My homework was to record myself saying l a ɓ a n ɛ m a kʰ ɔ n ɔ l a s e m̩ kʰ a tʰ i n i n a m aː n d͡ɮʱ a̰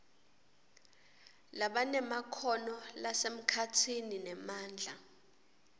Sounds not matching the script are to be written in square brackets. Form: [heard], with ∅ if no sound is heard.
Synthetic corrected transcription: l a ɓ a n ɛ m a kʰ ɔ n ɔ l a s e m̩ kʰ a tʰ i n i n [ɛ] m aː n d͡ɮʱ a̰